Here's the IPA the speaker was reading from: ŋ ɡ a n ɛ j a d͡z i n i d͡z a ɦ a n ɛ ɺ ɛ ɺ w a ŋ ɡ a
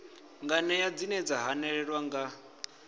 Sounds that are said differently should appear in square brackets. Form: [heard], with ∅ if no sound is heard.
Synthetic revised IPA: ŋ ɡ a n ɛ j a d͡z i n [ɛ] d͡z a ɦ a n ɛ ɺ ɛ ɺ w a ŋ ɡ a